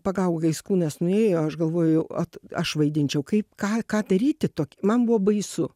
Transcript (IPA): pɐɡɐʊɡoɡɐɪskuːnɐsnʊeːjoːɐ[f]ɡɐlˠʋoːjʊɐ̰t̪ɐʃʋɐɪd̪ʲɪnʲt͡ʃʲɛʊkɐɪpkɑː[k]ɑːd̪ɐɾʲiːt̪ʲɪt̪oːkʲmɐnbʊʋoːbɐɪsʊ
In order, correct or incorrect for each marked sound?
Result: incorrect: ʃ, correct

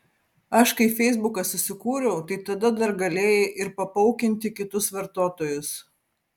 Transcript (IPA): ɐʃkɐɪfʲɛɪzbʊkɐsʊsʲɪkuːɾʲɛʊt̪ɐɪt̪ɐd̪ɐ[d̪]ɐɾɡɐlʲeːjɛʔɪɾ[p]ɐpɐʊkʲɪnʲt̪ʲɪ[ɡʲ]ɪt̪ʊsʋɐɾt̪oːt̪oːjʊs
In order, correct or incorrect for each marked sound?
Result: correct, correct, incorrect: kʲ

